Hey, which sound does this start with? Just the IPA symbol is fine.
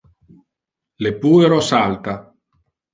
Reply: l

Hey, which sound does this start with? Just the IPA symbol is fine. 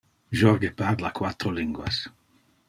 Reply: ʒ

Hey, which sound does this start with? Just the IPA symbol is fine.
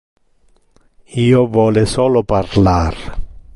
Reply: iː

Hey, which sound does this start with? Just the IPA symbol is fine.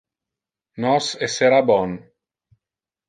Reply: n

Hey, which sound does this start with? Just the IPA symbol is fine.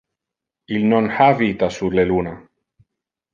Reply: i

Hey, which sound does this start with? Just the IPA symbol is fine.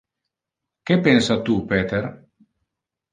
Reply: k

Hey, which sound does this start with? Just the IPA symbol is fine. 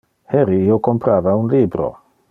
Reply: h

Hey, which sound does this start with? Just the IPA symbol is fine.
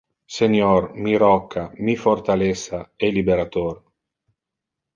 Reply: s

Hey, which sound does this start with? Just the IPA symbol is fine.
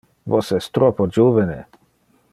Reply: v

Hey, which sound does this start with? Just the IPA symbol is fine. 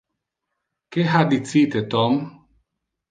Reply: k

